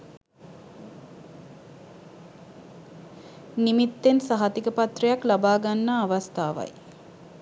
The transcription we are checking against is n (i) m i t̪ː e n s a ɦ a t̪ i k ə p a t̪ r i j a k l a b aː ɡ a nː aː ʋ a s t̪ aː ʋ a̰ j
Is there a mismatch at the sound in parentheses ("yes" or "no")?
no